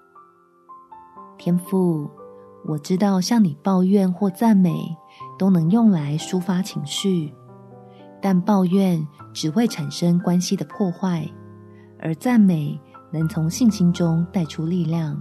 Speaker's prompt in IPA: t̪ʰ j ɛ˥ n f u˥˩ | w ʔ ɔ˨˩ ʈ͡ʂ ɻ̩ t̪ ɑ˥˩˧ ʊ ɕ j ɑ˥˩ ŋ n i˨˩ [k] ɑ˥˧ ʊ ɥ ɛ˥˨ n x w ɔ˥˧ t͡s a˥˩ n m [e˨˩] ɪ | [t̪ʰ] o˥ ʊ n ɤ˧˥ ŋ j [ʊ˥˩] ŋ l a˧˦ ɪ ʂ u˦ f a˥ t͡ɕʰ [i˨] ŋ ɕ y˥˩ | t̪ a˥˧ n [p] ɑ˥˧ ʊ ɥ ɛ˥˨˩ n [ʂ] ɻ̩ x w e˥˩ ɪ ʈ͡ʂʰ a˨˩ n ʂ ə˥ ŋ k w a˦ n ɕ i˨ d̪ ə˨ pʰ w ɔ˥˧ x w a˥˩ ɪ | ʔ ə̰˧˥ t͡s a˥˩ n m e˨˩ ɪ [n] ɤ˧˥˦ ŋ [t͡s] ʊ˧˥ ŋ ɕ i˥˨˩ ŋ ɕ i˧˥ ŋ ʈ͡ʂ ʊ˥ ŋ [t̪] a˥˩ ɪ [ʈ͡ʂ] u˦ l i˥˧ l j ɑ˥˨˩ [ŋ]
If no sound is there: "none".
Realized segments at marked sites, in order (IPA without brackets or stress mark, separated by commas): p, e˨˩, t̪, ʊ˥˩, i˧˥, p, ʈ͡ʂ, n, t͡sʰ, t̪, ʈ͡ʂʰ, ŋ